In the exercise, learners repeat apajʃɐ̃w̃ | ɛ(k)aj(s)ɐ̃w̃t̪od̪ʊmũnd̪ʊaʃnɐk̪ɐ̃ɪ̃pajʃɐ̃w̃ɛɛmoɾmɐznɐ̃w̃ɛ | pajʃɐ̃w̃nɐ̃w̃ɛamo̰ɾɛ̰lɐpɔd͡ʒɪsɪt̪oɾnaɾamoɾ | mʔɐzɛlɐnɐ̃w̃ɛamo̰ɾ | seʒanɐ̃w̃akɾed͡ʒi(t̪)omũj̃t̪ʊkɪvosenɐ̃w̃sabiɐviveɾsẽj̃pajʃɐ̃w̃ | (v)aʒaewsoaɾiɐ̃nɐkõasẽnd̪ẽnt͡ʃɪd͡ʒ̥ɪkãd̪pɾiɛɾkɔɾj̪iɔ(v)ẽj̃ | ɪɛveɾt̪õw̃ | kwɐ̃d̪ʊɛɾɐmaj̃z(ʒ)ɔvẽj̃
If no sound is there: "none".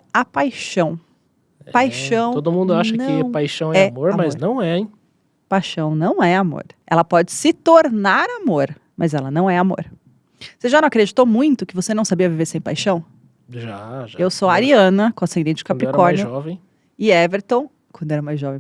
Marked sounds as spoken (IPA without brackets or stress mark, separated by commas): p, ʃ, t̪, ʒ, v, ʒ